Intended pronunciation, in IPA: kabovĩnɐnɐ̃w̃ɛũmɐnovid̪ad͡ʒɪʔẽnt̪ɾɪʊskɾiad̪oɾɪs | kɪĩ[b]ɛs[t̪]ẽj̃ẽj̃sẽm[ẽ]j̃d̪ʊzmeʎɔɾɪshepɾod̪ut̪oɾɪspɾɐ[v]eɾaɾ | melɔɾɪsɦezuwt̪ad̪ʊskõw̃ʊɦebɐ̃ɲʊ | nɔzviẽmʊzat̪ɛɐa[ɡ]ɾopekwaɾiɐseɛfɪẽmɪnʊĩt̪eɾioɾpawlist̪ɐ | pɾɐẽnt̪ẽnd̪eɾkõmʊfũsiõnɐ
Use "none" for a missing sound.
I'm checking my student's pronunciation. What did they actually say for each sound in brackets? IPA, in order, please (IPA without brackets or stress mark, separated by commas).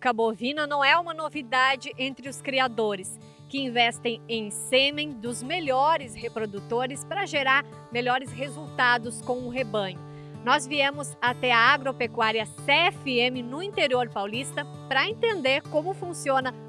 v, t̪, ẽ, ʒ, ɡ